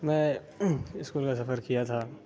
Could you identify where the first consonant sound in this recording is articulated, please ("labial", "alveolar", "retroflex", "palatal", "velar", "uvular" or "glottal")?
labial